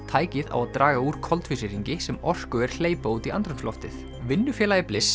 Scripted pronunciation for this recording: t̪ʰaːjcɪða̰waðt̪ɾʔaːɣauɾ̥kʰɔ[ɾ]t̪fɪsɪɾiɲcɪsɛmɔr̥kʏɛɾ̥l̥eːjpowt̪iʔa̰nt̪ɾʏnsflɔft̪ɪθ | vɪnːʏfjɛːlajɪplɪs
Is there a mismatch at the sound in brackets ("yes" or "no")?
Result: yes